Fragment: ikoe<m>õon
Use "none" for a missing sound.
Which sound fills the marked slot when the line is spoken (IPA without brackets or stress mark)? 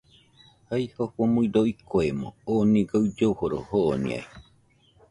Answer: m